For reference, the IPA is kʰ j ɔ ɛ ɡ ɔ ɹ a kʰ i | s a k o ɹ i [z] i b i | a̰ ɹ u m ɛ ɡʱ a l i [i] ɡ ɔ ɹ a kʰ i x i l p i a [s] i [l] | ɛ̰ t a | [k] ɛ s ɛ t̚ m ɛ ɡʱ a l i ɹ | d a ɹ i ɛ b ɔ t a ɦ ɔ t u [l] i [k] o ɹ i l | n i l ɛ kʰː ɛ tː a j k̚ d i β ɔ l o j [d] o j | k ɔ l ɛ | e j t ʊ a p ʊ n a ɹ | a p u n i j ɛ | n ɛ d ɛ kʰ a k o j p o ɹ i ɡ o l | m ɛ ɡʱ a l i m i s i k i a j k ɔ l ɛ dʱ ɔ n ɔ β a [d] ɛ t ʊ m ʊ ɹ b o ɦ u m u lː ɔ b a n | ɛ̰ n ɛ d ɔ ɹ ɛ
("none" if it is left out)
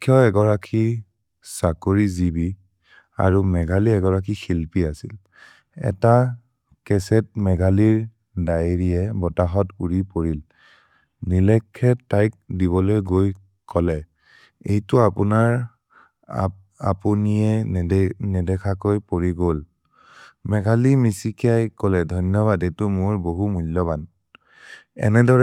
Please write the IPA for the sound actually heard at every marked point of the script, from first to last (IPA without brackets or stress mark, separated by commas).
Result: z, ɛ, s, l, k, ɹ, p, ɡ, d